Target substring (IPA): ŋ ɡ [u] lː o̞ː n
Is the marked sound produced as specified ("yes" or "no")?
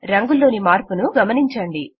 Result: yes